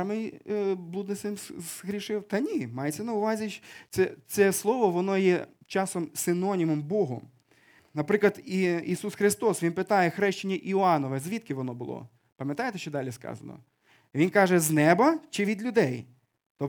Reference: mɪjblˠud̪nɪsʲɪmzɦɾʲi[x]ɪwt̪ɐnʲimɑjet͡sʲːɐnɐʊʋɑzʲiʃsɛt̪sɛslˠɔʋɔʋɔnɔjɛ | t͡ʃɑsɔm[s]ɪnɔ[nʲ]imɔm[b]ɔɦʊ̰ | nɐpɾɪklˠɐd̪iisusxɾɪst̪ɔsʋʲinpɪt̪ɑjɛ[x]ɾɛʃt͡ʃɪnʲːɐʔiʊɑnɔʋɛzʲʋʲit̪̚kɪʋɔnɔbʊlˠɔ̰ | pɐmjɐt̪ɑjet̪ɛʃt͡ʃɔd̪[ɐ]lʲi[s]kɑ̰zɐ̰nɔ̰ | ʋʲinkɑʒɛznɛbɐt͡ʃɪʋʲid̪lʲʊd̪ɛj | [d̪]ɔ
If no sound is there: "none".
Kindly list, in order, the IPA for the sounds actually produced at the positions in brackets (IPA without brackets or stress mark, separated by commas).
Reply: ʃ, s, nʲ, b, x, ɑ, s, t̪